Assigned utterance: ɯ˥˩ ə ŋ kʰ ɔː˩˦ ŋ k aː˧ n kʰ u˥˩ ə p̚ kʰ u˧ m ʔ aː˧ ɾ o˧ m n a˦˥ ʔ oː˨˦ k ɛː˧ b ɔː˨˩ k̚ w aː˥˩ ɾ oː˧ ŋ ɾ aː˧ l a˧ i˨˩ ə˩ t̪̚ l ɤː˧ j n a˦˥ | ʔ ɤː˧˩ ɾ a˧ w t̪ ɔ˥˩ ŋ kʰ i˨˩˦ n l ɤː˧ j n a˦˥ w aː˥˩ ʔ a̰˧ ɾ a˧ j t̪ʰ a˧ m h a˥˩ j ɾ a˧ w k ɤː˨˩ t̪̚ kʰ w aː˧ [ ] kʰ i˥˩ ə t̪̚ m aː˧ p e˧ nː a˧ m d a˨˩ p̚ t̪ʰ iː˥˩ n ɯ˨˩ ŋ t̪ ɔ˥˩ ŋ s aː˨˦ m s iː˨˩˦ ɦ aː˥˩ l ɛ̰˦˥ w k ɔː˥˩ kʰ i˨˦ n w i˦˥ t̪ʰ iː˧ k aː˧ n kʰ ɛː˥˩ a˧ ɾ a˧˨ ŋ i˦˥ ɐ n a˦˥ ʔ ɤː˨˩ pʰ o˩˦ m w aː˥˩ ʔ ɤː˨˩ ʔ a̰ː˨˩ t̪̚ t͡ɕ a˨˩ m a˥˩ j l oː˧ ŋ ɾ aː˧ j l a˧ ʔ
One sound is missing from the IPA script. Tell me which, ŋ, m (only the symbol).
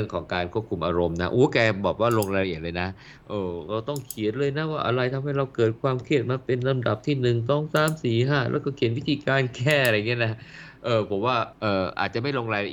m